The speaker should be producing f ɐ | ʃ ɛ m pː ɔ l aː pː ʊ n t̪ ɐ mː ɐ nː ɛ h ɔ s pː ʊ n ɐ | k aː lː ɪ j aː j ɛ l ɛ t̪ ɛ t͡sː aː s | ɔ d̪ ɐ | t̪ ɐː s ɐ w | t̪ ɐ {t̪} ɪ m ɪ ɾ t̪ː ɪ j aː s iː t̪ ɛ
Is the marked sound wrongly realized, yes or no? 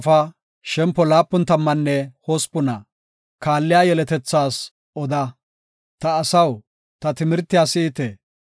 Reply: no